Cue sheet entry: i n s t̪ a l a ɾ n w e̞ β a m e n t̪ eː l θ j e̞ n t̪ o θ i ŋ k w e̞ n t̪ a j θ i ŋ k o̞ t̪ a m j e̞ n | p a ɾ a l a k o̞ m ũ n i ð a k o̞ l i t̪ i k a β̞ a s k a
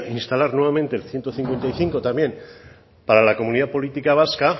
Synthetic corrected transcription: i n s t̪ a l a ɾ n w e̞ β a m e n t̪ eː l θ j e̞ n t̪ o θ i ŋ k w e̞ n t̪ a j θ i ŋ k o̞ t̪ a m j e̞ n | p a ɾ a l a k o̞ m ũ n i ð a p o̞ l i t̪ i k a β̞ a s k a